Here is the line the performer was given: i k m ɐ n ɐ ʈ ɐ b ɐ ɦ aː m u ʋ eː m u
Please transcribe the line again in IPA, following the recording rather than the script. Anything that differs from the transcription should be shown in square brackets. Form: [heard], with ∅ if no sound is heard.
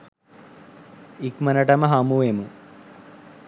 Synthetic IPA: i k m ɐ n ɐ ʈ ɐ [m] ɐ ɦ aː m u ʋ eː m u